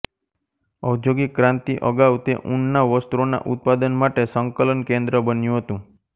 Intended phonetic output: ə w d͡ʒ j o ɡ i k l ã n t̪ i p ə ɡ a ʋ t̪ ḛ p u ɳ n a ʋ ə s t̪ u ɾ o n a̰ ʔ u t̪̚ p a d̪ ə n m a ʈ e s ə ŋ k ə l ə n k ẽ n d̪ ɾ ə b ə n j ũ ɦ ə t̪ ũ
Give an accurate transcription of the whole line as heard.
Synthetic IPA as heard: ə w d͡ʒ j o ɡ i k ɾ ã n t̪ i ʔ ə ɡ a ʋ t̪ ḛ ʔ u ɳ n a ʋ ə s t̪ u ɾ o n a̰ ʔ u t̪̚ p a d̪ ə n m a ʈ e s ə ŋ k ə l ə n k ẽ n d̪ ɾ ə b ə n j ũ ɦ ə t̪ ũ